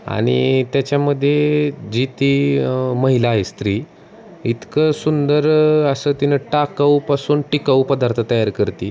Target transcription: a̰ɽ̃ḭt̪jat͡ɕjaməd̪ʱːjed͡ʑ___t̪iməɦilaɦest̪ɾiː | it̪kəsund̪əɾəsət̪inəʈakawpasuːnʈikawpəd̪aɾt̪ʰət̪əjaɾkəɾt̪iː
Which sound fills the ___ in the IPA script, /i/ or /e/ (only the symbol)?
i